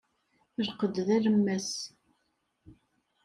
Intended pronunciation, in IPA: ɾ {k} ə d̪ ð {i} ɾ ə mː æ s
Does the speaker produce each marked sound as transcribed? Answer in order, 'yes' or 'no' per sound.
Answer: no, no

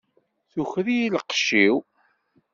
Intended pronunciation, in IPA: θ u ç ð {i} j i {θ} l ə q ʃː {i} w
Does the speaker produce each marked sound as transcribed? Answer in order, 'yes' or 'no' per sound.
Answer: yes, no, yes

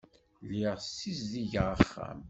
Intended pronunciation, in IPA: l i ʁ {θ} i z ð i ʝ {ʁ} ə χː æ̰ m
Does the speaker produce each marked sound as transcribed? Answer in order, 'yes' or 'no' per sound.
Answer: no, yes

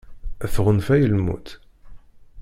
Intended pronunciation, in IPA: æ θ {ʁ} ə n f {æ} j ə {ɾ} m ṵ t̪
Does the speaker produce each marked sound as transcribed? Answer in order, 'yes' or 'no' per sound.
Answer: yes, yes, no

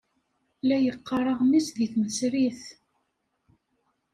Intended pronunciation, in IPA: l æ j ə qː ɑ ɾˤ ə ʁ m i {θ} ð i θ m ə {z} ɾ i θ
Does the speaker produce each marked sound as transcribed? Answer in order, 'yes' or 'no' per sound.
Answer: no, no

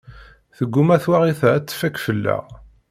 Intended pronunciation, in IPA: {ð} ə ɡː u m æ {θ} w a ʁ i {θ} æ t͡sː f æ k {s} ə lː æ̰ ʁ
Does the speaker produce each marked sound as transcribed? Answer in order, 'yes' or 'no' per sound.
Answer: no, yes, yes, no

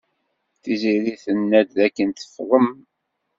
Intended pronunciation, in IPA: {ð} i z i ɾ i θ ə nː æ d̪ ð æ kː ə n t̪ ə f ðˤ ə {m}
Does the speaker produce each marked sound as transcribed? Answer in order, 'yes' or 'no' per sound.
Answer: no, yes

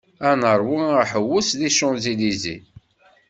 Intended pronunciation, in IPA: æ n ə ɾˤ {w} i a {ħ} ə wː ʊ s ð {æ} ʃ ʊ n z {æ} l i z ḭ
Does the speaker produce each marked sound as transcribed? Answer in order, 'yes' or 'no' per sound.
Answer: yes, yes, no, no

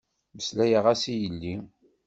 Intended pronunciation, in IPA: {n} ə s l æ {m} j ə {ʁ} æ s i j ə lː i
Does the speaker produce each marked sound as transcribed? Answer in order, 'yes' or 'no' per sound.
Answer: no, no, yes

